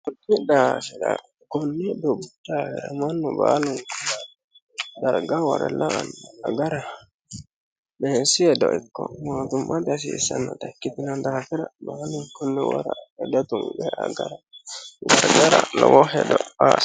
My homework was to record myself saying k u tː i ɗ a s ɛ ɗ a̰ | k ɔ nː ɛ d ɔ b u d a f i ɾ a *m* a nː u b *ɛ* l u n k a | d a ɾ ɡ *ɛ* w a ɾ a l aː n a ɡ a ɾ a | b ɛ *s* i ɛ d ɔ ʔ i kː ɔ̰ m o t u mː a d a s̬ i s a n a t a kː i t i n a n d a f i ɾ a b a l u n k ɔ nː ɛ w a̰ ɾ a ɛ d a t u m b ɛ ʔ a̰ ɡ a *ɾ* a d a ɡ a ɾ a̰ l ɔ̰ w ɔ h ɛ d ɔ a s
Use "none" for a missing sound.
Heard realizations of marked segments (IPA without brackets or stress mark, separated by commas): m, a, a, s, ɾ